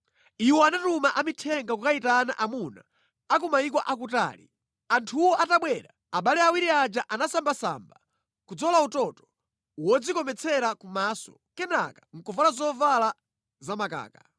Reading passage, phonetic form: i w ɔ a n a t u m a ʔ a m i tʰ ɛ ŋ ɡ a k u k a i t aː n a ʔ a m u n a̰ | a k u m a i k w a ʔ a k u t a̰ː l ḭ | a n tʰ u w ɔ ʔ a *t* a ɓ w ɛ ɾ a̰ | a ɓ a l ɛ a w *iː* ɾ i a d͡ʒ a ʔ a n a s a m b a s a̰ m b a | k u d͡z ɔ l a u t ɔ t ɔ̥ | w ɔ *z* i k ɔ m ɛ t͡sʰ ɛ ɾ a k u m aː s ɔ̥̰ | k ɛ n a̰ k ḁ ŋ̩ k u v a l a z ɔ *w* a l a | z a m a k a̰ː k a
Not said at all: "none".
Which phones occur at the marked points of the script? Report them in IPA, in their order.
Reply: t, i, d͡z, v

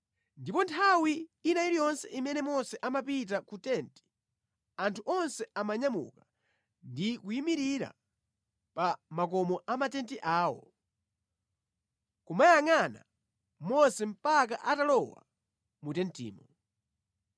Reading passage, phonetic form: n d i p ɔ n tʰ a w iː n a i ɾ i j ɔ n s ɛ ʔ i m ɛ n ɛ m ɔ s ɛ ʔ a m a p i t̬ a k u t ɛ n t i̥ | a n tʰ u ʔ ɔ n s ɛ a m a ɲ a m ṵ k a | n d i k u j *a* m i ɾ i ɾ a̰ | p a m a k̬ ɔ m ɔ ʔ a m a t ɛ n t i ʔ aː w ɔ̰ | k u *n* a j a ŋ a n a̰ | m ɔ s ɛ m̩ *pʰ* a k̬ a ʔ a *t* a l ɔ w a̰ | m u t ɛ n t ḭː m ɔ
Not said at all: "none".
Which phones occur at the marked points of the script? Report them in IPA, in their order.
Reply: i, m, p, t

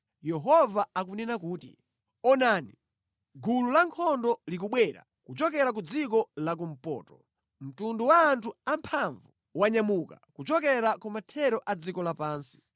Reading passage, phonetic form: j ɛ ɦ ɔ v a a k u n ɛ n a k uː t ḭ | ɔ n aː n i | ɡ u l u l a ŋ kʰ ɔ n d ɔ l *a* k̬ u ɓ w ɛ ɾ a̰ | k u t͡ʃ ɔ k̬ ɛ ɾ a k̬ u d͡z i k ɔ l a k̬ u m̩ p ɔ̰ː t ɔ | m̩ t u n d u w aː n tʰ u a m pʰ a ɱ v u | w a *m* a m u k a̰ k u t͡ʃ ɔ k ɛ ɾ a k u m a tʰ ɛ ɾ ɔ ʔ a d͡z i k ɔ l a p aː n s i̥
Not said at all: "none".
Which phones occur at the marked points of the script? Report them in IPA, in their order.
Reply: i, ɲ

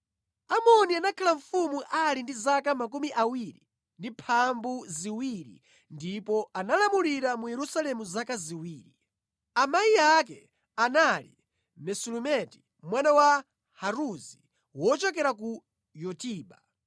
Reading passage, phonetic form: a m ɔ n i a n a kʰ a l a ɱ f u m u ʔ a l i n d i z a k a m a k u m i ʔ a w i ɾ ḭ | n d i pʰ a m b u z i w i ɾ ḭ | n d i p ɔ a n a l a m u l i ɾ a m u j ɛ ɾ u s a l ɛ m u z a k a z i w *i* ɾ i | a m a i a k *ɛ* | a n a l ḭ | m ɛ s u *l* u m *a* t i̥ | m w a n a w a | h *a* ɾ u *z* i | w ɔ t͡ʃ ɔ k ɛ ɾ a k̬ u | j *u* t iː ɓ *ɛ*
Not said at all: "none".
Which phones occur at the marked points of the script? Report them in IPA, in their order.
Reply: iː, ɛ, l, ɛ, a, z, ɔ, a

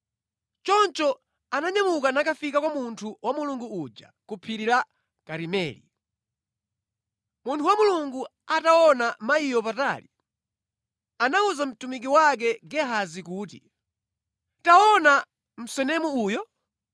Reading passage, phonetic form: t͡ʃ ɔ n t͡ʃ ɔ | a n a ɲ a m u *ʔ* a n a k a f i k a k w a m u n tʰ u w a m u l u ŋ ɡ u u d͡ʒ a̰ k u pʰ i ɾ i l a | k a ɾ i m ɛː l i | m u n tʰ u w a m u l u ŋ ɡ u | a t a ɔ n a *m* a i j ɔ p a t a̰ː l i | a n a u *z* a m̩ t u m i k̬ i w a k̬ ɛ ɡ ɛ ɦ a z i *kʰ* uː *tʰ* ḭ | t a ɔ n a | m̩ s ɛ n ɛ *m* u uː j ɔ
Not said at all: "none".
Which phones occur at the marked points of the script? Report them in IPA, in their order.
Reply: k, m, z, k, t, m

